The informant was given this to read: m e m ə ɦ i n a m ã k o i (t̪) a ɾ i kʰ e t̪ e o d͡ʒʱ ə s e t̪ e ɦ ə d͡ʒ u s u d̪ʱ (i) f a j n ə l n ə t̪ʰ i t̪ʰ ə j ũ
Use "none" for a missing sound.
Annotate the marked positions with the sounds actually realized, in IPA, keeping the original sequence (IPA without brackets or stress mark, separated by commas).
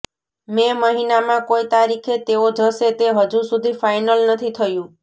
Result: t̪, i